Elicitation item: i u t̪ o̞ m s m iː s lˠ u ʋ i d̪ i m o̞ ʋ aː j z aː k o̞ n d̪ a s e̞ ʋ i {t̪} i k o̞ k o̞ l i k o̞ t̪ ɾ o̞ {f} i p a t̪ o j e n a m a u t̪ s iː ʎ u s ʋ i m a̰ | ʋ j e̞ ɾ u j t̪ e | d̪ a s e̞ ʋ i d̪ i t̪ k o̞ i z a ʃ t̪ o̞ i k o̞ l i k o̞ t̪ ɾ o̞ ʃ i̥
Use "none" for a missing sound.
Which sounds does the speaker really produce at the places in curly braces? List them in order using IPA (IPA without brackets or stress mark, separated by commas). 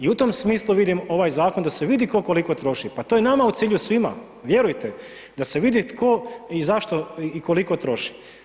d̪, ʃ